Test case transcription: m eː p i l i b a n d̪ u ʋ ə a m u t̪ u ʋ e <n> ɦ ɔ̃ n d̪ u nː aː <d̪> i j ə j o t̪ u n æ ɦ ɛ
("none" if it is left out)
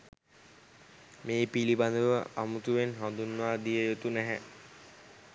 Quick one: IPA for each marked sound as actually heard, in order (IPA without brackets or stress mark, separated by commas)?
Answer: n, d̪